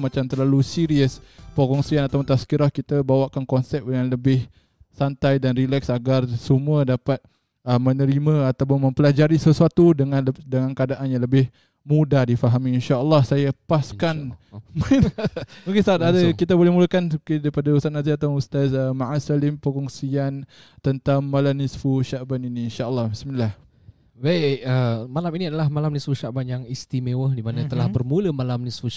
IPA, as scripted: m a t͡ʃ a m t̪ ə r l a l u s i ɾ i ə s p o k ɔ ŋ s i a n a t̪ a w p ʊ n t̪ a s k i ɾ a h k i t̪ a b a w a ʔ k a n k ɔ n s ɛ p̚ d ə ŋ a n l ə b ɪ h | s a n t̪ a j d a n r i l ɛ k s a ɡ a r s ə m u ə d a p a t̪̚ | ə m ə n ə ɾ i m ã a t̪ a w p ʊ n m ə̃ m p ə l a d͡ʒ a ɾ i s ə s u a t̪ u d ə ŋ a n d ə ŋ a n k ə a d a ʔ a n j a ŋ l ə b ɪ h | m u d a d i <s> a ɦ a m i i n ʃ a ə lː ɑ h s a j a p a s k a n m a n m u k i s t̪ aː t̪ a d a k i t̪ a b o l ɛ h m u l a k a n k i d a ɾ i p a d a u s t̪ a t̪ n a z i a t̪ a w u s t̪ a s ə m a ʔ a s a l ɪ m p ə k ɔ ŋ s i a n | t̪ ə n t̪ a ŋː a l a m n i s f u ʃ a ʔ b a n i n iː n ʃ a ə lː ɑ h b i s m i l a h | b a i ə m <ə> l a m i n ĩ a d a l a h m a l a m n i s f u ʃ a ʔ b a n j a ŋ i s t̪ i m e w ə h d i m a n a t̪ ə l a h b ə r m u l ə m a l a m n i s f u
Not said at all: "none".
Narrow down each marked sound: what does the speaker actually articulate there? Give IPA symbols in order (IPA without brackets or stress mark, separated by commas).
f, a